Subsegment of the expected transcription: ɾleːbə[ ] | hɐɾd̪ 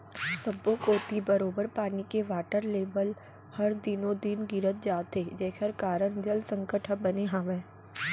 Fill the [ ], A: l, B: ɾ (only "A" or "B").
A